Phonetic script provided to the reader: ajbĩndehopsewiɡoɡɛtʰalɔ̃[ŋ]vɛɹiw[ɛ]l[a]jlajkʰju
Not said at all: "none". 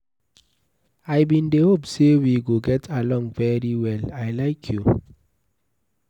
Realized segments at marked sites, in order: ŋ, ɛ, a

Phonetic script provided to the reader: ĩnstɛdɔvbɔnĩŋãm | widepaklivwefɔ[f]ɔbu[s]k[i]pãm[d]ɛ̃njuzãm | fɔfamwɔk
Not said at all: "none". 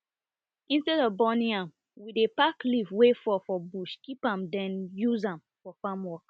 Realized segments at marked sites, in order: f, ʃ, i, d

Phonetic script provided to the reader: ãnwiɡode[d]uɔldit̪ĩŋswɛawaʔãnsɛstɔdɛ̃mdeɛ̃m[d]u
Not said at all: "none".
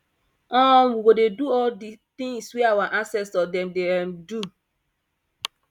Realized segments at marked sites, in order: d, d

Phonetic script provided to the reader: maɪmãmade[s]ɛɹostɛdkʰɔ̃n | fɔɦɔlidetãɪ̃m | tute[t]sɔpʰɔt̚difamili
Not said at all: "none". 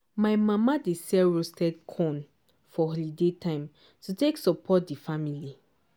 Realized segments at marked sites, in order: s, k

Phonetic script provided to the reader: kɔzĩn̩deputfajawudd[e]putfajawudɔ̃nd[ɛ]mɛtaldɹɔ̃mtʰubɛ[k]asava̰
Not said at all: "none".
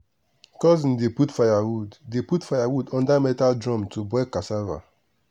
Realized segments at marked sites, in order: e, a, k

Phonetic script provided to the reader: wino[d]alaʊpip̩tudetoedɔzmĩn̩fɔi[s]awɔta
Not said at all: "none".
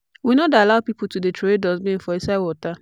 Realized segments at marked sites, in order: d, s

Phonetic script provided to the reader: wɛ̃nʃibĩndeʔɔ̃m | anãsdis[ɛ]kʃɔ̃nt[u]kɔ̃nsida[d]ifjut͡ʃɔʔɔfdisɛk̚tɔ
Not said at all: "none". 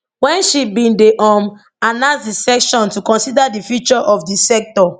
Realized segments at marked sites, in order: ɛ, u, d

